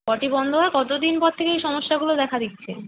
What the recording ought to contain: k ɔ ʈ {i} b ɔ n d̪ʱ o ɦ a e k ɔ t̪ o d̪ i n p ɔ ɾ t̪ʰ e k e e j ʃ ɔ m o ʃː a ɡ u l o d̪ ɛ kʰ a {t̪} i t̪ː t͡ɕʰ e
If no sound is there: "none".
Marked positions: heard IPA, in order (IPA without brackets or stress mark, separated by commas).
i, d̪